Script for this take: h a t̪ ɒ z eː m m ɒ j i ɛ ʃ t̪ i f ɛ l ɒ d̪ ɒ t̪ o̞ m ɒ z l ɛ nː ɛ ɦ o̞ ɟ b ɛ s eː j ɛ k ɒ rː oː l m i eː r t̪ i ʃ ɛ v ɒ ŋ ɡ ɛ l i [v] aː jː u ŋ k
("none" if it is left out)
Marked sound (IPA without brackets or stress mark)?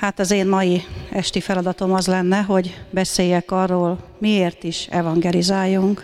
z